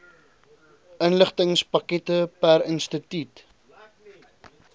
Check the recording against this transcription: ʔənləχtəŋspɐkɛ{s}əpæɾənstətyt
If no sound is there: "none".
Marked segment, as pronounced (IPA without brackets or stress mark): t